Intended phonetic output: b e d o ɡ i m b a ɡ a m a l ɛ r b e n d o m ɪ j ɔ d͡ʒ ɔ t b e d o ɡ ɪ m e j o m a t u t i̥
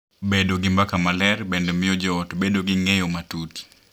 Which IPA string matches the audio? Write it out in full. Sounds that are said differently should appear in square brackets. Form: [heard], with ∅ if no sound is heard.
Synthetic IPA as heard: b e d o ɡ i m b a [k] a m a l ɛ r b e n d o m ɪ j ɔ d͡ʒ ɔ t b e d o ɡ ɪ [ŋ] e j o m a t u t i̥